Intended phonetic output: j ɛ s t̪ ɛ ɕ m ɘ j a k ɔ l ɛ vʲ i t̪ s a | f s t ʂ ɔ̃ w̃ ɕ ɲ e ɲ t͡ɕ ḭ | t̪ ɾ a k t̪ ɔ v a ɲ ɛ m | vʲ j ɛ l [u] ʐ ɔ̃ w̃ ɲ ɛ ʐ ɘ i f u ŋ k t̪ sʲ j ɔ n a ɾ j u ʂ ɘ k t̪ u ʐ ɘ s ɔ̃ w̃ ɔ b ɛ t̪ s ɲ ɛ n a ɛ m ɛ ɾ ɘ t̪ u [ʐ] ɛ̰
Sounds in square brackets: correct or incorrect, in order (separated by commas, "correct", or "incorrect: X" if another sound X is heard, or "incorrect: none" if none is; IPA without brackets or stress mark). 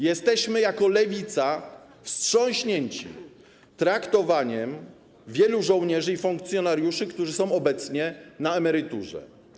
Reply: correct, correct